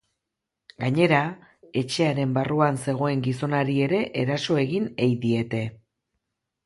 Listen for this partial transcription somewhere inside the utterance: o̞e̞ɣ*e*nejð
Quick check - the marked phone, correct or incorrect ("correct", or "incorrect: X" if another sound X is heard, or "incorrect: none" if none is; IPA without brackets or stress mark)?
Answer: incorrect: i